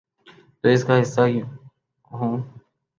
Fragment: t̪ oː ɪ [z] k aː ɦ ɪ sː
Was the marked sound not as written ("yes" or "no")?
yes